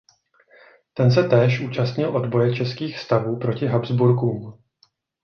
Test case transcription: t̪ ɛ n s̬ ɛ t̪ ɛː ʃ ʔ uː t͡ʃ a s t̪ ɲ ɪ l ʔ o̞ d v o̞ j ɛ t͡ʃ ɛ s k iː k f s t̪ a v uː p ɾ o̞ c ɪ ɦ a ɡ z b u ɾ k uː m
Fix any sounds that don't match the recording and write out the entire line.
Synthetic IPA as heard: t̪ ɛ n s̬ ɛ t̪ ɛː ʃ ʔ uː t͡ʃ a s t̪ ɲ ɪ l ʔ o̞ d b o̞ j ɛ t͡ʃ ɛ s k iː x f s t̪ a v uː p ɾ o̞ c ɪ ɦ a b z b u ɾ k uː m